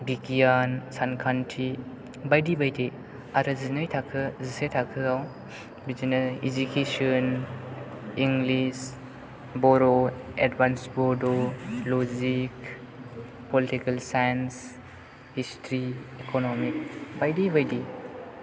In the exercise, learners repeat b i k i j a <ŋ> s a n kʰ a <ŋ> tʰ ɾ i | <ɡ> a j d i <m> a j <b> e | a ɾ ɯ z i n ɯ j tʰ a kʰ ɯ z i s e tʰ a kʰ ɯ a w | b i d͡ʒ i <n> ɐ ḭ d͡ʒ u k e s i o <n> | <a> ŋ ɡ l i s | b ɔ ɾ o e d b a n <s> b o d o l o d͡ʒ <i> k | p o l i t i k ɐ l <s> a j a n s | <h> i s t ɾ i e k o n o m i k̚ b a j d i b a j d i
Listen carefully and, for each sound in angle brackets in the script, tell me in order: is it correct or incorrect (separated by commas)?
incorrect, incorrect, incorrect, incorrect, incorrect, correct, correct, incorrect, correct, correct, correct, correct